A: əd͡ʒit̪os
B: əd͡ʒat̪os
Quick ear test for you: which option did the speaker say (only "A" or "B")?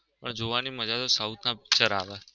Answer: B